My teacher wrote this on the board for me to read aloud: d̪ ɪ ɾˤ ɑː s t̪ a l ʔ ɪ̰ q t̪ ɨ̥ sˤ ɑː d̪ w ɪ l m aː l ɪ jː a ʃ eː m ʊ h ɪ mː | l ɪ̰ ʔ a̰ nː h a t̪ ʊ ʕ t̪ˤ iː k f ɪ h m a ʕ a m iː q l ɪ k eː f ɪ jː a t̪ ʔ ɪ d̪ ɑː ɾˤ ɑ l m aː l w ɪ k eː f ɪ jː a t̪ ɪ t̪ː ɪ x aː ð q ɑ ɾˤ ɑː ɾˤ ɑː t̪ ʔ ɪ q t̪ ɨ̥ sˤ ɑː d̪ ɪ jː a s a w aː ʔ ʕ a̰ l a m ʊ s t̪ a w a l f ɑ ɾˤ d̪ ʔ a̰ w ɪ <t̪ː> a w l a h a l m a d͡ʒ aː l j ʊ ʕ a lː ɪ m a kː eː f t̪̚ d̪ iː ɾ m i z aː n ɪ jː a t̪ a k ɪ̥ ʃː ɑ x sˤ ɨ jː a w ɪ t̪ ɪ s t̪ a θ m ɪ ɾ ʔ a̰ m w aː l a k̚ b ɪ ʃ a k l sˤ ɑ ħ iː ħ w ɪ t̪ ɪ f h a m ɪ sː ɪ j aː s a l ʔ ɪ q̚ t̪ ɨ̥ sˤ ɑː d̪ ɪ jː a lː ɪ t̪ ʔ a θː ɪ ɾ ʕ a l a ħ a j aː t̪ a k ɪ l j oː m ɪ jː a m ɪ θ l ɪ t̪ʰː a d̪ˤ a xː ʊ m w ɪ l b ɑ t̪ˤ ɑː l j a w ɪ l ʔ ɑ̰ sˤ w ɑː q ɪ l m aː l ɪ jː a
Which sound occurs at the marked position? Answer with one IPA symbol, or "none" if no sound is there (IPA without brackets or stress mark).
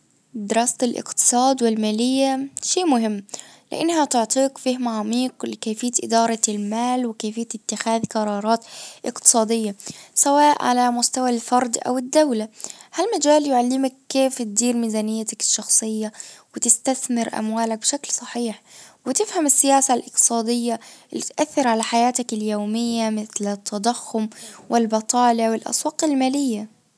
d̪ː